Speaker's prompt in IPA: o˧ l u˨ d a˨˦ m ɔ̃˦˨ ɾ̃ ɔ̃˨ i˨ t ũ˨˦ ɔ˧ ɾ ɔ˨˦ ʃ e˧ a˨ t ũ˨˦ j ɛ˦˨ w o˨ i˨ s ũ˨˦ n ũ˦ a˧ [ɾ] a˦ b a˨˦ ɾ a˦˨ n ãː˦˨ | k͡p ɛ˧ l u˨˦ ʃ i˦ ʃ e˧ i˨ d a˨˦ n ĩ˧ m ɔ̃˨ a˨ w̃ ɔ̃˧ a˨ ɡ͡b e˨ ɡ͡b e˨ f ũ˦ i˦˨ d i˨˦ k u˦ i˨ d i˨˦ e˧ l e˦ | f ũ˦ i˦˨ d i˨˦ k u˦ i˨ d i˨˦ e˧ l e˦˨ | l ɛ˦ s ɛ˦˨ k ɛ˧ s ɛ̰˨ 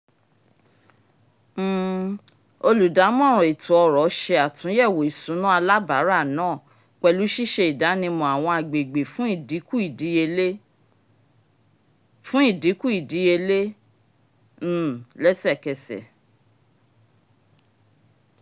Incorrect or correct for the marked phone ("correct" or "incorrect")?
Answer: incorrect